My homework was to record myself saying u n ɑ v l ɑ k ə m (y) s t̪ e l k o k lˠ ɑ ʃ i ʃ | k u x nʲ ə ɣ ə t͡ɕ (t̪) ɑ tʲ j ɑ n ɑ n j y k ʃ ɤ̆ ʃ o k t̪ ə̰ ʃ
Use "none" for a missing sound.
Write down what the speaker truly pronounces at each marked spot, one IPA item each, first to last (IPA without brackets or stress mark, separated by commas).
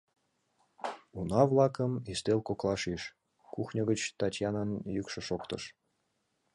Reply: i, t̪